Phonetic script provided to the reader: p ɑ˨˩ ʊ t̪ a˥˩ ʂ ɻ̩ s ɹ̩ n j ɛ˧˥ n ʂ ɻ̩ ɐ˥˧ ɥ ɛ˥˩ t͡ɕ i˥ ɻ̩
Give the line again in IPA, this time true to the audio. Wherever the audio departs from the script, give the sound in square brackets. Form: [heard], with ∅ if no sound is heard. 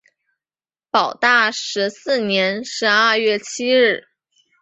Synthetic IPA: p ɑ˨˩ ʊ t̪ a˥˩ ʂ ɻ̩ s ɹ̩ n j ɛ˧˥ n ʂ ɻ̩ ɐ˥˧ ɥ ɛ˥˩ [t͡ɕʰ] i˥ ɻ̩